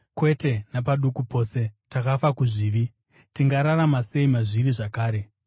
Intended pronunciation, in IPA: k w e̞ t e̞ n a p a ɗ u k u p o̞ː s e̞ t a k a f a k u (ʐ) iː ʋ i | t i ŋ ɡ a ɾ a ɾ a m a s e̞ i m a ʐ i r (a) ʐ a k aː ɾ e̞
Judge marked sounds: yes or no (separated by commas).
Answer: yes, no